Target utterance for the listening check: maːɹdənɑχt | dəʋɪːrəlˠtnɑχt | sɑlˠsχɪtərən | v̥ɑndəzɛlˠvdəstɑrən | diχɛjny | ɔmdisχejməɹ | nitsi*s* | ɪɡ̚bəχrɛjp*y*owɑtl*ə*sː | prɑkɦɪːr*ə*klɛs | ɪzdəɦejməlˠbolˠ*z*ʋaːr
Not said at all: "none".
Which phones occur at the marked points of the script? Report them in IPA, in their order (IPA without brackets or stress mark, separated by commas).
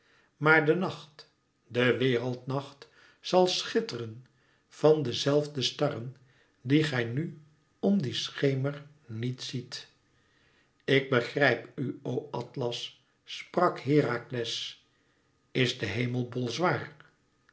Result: t, y, ɑ, a, z